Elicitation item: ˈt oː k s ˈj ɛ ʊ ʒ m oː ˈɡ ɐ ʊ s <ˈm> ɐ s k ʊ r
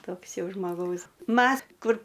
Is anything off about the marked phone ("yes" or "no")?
no